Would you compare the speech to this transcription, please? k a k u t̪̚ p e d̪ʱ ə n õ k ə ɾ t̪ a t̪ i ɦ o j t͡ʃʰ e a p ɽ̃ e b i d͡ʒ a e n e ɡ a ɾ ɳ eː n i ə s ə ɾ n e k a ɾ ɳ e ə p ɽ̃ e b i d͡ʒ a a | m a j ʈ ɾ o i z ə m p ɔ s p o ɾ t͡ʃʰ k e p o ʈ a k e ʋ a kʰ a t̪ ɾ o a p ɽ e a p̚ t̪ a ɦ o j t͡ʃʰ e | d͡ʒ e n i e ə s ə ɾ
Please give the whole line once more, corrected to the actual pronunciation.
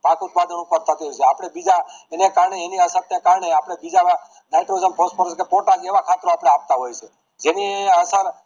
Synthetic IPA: p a k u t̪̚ p a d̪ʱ ə n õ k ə ɾ t̪ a t̪ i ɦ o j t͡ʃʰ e a p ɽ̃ e b i d͡ʒ a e n e k a ɾ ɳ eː n i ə s ə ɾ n e k a ɾ ɳ e a p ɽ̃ e b i d͡ʒ a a | n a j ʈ ɾ o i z ə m p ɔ s p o ɾ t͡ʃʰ k e p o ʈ a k e ʋ a kʰ a t̪ ɾ o a p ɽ e a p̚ t̪ a ɦ o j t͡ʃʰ e | d͡ʒ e n i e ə s ə ɾ